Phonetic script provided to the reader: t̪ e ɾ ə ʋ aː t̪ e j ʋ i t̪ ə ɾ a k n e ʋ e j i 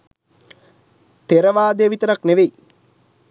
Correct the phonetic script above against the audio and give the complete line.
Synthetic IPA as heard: t̪ e ɾ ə ʋ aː d̪ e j ʋ i t̪ ə ɾ a k n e ʋ e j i